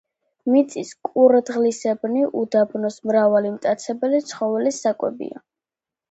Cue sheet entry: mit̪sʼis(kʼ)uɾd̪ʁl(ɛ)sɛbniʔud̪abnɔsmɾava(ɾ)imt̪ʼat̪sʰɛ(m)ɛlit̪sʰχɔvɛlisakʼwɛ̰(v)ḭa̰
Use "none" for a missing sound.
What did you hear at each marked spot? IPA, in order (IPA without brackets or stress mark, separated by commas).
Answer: kʼ, i, l, b, b